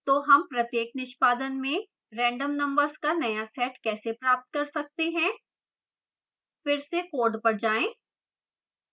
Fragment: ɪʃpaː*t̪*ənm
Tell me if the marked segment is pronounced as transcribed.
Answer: no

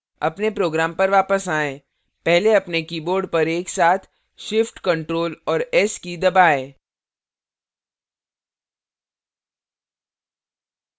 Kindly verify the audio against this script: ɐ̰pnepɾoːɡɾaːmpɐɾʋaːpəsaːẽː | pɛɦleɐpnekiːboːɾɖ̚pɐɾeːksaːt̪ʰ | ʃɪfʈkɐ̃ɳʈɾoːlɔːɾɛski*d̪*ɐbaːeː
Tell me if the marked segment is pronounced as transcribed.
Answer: yes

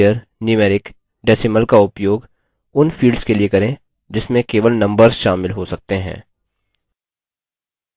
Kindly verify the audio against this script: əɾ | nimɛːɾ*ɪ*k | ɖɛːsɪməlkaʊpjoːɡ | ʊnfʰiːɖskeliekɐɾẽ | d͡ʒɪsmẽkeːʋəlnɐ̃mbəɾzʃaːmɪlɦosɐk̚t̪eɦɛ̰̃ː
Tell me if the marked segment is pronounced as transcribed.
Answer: yes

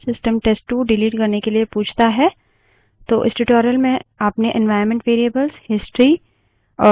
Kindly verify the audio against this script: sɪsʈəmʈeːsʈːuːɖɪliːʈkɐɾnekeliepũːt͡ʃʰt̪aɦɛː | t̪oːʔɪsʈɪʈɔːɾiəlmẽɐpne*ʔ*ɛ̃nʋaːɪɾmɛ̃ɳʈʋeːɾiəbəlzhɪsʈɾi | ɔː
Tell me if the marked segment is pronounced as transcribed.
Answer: yes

